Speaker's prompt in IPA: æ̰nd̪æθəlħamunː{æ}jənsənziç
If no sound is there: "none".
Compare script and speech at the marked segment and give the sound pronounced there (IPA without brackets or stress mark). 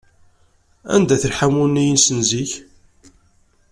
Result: i